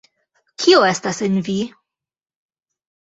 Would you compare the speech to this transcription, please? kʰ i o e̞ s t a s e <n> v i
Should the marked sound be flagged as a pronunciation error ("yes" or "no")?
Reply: no